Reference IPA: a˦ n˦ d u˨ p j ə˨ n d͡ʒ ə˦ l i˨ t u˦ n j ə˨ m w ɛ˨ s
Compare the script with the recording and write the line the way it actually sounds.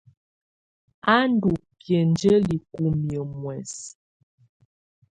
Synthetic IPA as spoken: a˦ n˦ d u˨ p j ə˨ n d͡ʒ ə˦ l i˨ k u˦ m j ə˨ m w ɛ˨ s